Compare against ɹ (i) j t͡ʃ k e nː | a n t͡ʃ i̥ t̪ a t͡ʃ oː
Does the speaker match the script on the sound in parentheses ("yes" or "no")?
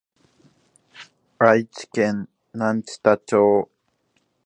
no